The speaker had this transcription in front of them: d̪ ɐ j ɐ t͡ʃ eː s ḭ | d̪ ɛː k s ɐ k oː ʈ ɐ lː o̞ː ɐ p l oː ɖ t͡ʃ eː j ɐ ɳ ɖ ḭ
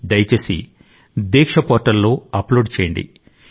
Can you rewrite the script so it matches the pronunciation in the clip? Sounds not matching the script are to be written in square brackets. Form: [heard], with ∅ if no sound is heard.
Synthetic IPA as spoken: d̪ ɐ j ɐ t͡ʃ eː s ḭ | d̪ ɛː k [ʂ] ɐ [p] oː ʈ ɐ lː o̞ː ɐ p l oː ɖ t͡ʃ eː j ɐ ɳ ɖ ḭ